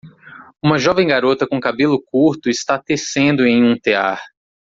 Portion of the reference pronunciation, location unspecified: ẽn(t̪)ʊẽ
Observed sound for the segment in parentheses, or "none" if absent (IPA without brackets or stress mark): d̪